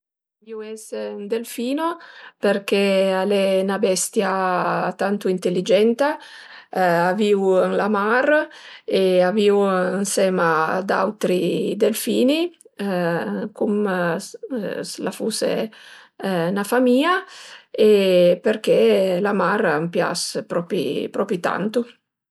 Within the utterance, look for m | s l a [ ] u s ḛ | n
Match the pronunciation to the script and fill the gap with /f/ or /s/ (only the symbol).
f